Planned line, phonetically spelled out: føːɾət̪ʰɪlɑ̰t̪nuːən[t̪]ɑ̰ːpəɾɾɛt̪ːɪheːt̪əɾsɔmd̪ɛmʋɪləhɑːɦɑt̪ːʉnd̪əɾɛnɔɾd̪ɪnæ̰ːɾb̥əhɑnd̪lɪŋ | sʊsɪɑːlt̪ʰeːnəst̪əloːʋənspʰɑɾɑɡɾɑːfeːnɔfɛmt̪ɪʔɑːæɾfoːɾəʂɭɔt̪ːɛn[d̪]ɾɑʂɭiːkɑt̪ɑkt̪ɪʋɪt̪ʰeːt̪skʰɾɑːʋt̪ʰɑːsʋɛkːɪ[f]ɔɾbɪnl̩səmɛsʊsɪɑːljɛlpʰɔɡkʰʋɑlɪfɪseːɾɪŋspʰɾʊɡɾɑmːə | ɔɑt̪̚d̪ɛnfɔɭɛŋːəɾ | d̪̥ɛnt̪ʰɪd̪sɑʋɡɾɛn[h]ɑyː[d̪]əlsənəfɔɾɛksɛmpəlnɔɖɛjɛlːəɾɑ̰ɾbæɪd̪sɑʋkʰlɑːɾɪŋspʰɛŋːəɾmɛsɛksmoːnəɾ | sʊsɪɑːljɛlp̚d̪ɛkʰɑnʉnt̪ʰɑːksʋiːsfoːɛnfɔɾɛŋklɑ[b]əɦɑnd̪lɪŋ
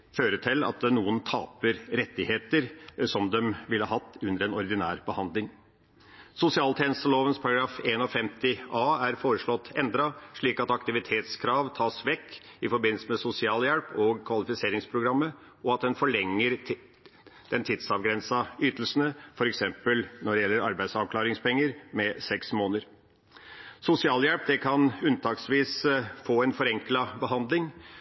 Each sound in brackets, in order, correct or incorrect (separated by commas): incorrect, correct, correct, incorrect, incorrect, correct